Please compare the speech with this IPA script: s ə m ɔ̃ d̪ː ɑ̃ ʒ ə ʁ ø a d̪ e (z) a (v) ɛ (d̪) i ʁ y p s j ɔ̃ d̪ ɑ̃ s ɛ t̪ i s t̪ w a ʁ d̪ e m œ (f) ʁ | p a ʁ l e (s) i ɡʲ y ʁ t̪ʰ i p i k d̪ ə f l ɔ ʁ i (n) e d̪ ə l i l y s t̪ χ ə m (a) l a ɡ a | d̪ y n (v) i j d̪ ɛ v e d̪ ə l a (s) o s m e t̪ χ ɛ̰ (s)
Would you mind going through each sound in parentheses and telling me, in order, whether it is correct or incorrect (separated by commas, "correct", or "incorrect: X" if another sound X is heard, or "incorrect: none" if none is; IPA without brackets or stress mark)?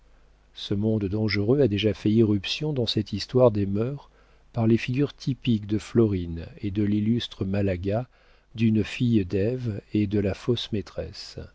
incorrect: ʒ, incorrect: f, incorrect: none, incorrect: none, incorrect: f, correct, correct, incorrect: f, incorrect: f, correct